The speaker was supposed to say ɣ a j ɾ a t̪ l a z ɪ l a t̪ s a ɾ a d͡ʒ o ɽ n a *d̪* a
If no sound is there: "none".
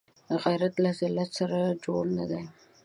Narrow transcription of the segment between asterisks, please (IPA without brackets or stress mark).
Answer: d̪